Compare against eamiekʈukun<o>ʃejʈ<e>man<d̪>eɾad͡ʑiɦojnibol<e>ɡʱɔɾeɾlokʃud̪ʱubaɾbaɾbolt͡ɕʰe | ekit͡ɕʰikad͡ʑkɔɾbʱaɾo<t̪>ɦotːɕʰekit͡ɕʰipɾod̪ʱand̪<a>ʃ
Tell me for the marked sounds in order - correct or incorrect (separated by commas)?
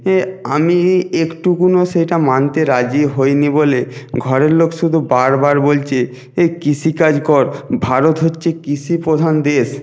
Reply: correct, incorrect, incorrect, correct, correct, incorrect